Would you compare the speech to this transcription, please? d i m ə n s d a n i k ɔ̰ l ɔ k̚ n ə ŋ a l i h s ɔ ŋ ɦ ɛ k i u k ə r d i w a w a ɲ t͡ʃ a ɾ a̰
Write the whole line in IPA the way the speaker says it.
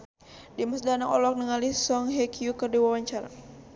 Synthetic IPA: d i m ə s d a n a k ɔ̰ l ɔ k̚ n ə ŋ a l i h s ɔ ŋ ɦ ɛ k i u k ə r d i w a w a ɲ t͡ʃ a ɾ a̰